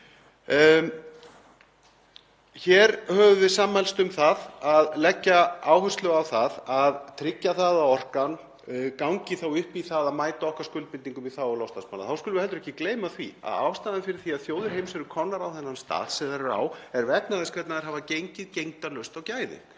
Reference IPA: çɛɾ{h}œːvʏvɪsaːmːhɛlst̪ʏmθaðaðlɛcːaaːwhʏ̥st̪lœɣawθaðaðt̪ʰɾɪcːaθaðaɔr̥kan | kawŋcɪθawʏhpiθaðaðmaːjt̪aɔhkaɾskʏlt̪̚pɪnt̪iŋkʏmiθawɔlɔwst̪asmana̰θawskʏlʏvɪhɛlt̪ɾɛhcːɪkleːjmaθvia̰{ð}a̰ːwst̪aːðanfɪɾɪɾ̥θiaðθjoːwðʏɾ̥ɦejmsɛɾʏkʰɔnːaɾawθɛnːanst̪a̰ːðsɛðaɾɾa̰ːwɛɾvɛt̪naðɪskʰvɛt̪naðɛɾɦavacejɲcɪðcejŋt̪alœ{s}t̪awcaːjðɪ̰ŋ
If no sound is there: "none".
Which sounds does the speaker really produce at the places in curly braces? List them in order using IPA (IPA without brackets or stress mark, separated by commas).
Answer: h, ð, s